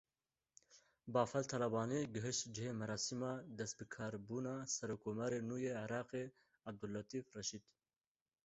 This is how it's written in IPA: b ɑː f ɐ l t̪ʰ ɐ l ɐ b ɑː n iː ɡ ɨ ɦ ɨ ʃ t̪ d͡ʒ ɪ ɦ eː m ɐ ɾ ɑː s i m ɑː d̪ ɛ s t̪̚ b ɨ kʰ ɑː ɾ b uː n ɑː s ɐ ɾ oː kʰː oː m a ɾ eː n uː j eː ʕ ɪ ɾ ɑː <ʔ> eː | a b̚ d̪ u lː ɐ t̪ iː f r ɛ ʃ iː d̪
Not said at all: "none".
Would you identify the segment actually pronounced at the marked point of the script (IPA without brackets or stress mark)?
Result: q